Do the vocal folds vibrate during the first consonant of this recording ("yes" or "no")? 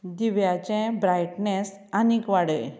yes